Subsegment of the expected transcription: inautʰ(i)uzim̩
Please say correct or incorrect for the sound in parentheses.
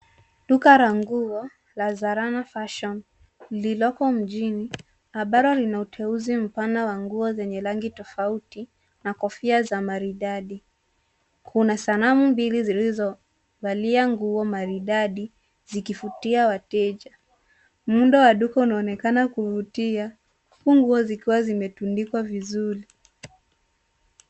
incorrect